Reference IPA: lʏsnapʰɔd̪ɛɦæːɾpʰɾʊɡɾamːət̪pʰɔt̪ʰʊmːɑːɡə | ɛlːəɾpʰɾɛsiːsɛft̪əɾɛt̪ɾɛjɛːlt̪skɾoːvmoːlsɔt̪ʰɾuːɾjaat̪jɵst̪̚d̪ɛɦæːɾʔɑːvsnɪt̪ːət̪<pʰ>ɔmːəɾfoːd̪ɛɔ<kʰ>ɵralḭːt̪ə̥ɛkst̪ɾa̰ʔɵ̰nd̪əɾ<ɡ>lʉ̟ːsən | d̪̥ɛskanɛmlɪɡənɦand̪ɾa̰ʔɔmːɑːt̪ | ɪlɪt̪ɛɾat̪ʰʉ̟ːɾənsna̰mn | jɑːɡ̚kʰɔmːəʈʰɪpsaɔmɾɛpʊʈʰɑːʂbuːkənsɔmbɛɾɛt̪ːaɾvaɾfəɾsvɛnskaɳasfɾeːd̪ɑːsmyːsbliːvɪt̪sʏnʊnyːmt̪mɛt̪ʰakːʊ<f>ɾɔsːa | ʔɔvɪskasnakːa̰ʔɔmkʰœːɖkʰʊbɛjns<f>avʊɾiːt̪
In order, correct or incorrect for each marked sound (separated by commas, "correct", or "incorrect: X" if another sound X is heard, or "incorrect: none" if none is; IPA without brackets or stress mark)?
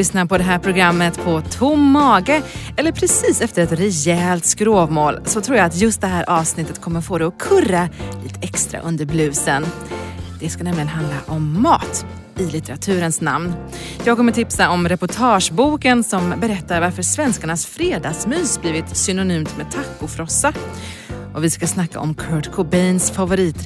incorrect: kʰ, correct, incorrect: b, correct, correct